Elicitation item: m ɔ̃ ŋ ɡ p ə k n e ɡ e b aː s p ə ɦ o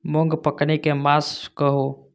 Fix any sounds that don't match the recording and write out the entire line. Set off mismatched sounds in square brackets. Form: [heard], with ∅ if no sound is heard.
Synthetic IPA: m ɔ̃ ŋ ɡ p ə k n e [k] e [m] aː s [k] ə ɦ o